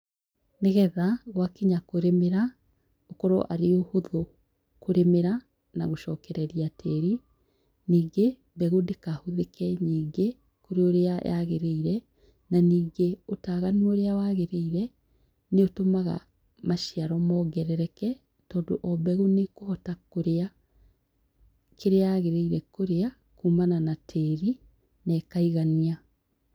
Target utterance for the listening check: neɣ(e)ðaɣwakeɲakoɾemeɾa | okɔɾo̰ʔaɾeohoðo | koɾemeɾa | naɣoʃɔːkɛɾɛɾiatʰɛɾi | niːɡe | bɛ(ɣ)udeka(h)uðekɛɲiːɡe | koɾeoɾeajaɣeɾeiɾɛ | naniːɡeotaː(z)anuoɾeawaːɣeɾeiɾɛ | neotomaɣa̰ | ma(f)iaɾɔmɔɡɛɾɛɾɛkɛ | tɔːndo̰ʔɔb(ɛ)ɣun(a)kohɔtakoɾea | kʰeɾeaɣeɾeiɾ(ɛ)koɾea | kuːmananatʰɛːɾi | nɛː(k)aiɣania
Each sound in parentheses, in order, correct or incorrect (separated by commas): incorrect, correct, correct, incorrect, incorrect, correct, incorrect, correct, correct